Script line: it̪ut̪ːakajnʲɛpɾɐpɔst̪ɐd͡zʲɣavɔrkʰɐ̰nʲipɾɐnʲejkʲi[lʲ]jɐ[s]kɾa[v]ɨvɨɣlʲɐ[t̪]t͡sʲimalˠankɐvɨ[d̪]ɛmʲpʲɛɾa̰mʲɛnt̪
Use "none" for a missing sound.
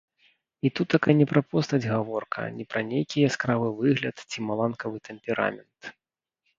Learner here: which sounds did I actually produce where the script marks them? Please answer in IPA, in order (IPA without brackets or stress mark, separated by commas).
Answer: none, s, v, t̪, t̪